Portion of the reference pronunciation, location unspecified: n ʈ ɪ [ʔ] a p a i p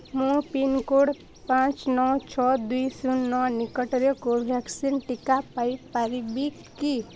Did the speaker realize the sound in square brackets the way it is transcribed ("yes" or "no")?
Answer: no